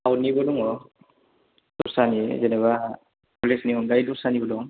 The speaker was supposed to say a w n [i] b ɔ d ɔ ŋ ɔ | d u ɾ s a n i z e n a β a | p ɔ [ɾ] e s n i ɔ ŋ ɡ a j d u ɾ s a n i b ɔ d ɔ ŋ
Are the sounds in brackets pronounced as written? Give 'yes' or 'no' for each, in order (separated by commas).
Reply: yes, no